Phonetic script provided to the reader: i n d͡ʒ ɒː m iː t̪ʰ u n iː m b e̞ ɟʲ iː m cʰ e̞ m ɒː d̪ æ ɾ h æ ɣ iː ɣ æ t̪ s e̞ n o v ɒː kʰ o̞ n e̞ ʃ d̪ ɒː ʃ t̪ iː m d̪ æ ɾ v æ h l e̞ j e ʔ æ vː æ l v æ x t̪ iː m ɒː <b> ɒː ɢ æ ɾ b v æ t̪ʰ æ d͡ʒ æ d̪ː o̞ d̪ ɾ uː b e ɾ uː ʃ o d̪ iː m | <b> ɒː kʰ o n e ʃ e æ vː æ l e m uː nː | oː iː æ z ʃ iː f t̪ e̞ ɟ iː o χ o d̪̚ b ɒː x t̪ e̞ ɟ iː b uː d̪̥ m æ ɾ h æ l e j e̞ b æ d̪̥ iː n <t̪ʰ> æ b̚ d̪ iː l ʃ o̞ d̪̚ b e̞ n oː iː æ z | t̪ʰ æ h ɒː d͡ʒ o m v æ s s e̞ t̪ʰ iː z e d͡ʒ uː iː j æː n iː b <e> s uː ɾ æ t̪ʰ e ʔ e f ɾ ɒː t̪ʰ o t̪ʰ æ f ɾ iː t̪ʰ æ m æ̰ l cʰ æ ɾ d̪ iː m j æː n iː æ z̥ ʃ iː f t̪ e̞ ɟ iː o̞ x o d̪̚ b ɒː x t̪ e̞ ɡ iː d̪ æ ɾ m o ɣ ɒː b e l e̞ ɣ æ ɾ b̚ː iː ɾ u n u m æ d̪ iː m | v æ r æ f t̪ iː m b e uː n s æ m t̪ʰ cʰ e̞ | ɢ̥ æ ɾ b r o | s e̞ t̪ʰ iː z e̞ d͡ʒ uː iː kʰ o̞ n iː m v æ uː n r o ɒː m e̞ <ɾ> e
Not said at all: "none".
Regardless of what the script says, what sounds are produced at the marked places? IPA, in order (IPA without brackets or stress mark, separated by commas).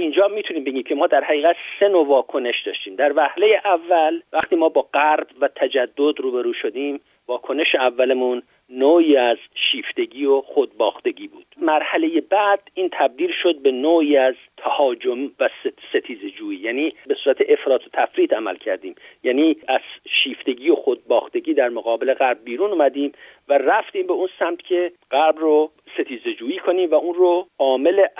b, v, t̪ʰ, e, l